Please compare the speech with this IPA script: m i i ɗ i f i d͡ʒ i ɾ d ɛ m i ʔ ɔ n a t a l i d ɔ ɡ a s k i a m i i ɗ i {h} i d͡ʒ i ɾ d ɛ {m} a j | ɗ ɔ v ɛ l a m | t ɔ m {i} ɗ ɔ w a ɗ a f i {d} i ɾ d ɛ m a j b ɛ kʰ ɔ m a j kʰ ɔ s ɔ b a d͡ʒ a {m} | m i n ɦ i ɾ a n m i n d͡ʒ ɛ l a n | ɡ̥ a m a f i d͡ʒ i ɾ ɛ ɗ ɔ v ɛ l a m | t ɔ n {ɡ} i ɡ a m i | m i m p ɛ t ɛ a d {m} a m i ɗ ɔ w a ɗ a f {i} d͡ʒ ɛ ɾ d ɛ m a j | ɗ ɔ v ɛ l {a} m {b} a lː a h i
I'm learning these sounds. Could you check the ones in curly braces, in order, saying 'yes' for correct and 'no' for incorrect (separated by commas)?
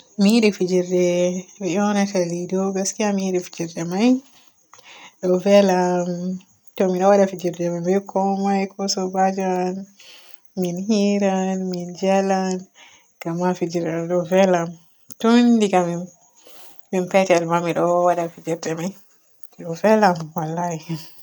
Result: no, yes, yes, no, no, no, yes, yes, yes, no